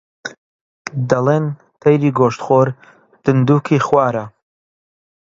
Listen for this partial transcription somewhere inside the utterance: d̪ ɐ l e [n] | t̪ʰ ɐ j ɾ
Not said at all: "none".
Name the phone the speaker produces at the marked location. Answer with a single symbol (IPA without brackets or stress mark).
n